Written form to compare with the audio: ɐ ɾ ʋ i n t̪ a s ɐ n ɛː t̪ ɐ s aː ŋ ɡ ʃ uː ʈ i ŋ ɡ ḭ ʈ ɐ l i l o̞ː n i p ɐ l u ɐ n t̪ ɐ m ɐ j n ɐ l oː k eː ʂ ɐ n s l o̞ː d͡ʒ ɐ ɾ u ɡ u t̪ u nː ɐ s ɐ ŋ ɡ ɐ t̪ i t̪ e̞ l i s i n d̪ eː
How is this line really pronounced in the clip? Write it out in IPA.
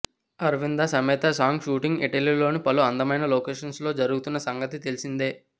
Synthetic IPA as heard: ɐ ɾ ʋ i n d̪ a s ɐ m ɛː t̪ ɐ s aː ŋ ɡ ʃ uː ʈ i ŋ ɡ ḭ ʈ ɐ l i l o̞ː n i p ɐ l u ɐ n d̪ ɐ m ɐ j n ɐ l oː k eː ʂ ɐ n s l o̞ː d͡ʒ ɐ ɾ u ɡ u t̪ u nː ɐ s ɐ ŋ ɡ ɐ t̪ i t̪ e̞ l i s i n d̪ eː